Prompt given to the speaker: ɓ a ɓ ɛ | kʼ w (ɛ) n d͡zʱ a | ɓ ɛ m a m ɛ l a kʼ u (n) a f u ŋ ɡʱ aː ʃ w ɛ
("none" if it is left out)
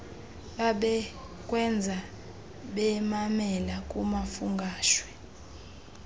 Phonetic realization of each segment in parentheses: ɛ, m

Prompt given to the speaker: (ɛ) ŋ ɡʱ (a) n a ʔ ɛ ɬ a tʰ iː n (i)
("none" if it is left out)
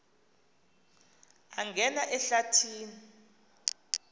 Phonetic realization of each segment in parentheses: a, ɛ, i

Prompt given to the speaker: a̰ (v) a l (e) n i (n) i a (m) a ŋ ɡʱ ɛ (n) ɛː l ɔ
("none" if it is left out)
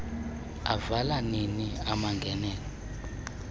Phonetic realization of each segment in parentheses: v, a, n, m, n

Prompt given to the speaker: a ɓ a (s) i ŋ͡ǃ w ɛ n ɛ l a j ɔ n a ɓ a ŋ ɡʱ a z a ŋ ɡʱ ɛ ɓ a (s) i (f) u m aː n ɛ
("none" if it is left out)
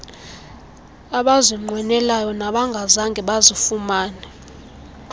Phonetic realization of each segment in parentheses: z, z, f

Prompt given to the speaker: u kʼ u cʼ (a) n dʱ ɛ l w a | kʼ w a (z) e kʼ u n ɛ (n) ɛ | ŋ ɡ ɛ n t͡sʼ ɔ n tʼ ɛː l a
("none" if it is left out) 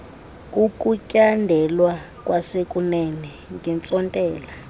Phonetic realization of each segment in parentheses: a, s, n

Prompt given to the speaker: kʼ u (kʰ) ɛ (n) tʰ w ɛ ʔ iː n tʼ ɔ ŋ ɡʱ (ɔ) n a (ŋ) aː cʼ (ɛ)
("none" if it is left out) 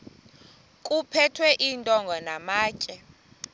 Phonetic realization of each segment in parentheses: pʰ, none, ɔ, m, ɛ

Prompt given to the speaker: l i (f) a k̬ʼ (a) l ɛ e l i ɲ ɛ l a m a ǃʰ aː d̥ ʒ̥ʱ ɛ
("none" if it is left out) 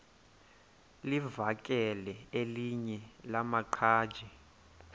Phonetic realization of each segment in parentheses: v, ɛ

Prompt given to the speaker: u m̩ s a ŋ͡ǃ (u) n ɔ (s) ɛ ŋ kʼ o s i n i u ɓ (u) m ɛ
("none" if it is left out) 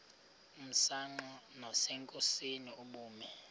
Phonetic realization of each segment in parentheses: ɔ, s, uː

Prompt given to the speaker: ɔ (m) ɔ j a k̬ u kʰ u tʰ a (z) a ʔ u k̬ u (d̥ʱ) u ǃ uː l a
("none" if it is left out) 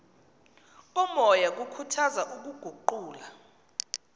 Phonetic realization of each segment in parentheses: m, z, ɡ̥ʱ

